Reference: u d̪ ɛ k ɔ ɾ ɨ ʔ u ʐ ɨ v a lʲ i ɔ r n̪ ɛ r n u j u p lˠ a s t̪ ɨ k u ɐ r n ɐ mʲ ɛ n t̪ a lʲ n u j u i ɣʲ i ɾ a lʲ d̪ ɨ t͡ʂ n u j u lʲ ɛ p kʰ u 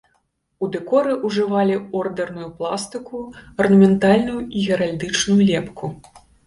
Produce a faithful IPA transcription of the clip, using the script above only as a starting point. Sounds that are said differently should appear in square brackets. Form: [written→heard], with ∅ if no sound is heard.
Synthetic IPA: u d̪ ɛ k ɔ ɾ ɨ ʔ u ʐ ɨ v a lʲ i ɔ r [n̪→d̪] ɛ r n u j u p lˠ a s t̪ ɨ k u ɐ r n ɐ mʲ ɛ n t̪ a lʲ n u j u i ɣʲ [i→ɛ] ɾ a lʲ d̪ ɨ t͡ʂ n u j u lʲ ɛ p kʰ u

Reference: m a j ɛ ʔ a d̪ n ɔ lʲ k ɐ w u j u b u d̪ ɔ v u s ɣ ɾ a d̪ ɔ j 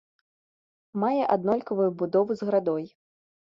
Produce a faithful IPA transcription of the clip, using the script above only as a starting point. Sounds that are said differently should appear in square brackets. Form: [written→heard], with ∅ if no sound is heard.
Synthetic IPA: m a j ɛ ʔ a d̪ n ɔ lʲ k ɐ [w→v] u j u b u d̪ ɔ v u [s→z] ɣ ɾ a d̪ ɔ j

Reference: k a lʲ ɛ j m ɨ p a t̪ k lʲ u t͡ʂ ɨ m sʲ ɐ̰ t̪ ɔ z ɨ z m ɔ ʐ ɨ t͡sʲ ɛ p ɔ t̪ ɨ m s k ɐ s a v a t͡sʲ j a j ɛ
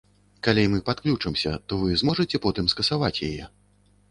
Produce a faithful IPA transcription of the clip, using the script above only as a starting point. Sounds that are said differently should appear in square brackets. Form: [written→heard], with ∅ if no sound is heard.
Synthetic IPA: k a lʲ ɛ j m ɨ p a t̪ k lʲ u t͡ʂ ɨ m sʲ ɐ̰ t̪ ɔ [z→v] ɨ z m ɔ ʐ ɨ t͡sʲ ɛ p ɔ t̪ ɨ m s k ɐ s a v a t͡sʲ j a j ɛ

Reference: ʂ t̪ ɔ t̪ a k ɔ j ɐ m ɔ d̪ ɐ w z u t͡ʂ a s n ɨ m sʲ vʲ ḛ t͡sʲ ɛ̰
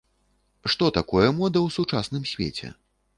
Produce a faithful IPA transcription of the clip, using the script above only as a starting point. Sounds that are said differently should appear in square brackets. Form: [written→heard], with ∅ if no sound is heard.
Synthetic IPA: ʂ t̪ ɔ t̪ a k ɔ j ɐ m ɔ d̪ ɐ w [z→s] u t͡ʂ a s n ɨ m sʲ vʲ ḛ t͡sʲ ɛ̰

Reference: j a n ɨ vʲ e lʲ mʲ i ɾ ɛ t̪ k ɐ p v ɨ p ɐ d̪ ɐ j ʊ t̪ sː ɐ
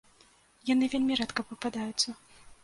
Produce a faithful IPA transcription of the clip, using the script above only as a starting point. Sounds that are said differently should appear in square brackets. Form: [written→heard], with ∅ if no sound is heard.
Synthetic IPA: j a n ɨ vʲ e lʲ mʲ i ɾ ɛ t̪ k ɐ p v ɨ p [ɐ→a] d̪ [ɐ→a] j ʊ t̪ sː ɐ

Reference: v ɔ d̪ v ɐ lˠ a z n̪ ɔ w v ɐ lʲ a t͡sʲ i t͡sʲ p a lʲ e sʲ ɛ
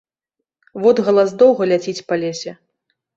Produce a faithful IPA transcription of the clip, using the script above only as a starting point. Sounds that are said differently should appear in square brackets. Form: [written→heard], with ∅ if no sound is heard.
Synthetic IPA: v ɔ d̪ [v→ɣ] ɐ lˠ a z [n̪→d̪] ɔ w [v→ɣ] ɐ lʲ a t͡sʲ i t͡sʲ p a lʲ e sʲ ɛ

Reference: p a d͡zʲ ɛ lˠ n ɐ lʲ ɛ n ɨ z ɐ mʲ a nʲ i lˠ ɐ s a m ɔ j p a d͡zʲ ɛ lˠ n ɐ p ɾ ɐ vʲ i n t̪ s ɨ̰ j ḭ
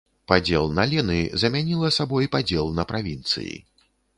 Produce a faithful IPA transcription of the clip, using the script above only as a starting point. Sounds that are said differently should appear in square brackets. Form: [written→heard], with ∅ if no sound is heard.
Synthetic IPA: p a d͡zʲ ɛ lˠ n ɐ lʲ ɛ n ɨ z ɐ mʲ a nʲ i lˠ ɐ s a [m→b] ɔ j p a d͡zʲ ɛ lˠ n ɐ p ɾ [ɐ→a] vʲ i n t̪ s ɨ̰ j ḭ

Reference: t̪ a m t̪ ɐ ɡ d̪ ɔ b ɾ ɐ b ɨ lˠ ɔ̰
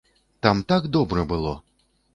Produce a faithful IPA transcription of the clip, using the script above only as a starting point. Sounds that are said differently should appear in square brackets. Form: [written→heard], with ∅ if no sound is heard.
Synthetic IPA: t̪ a m t̪ [ɐ→a] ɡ d̪ ɔ b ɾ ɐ b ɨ lˠ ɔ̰

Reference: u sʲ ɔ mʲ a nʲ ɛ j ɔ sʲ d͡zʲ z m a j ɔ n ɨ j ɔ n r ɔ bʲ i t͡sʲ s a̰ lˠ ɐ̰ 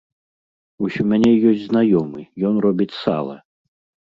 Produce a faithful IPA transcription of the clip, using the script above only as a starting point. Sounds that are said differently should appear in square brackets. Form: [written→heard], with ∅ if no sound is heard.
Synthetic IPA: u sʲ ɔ mʲ a nʲ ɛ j ɔ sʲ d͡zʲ z [m→n] a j ɔ [n→m] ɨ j ɔ n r ɔ bʲ i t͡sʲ s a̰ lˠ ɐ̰

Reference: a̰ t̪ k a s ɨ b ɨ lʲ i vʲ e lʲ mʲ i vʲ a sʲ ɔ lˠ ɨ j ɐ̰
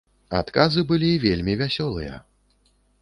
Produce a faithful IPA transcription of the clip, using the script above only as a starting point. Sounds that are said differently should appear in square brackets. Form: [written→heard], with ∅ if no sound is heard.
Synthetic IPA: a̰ t̪ k a [s→z] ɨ b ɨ lʲ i vʲ e lʲ mʲ i vʲ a sʲ ɔ lˠ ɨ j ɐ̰

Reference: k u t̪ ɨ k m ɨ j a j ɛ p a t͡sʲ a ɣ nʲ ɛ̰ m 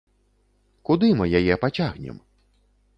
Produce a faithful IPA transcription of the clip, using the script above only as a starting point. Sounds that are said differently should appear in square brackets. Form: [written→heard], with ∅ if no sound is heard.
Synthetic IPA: k u [t̪→d̪] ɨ [k→∅] m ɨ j a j ɛ p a t͡sʲ a ɣ nʲ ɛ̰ m

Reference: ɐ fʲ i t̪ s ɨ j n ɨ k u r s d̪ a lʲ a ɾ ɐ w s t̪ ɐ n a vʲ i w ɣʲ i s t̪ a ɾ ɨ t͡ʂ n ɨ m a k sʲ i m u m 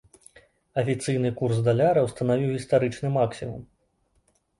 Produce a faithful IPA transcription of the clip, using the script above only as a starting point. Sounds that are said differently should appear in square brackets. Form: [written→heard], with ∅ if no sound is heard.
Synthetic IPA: ɐ fʲ i t̪ s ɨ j n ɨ k u r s d̪ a lʲ a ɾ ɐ w s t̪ ɐ n a vʲ i w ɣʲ i s t̪ a ɾ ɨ t͡ʂ n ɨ m a k sʲ i m u m

